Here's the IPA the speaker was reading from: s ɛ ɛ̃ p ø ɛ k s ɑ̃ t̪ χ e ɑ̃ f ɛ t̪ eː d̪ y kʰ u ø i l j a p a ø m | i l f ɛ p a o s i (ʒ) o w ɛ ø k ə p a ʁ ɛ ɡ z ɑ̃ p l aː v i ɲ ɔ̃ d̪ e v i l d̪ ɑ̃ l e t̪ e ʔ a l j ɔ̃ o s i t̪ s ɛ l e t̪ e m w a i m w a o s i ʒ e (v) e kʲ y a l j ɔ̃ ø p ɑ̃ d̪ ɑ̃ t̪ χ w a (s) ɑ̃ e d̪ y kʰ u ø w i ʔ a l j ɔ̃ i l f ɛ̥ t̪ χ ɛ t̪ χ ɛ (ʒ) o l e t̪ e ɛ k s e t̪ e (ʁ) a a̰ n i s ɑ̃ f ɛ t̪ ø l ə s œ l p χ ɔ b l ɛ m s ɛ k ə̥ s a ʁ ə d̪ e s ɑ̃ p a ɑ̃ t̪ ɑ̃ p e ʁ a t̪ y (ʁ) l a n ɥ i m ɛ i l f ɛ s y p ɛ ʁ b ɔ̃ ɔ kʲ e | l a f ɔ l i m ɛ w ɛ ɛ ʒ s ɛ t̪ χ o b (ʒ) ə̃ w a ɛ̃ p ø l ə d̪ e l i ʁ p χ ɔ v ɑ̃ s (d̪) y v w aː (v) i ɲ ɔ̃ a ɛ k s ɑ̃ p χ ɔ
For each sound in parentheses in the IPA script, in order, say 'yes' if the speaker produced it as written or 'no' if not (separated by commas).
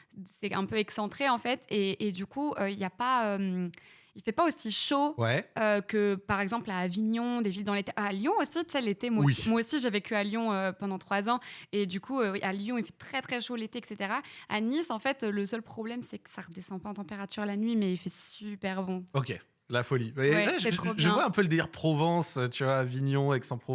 no, yes, no, no, yes, yes, yes, no, yes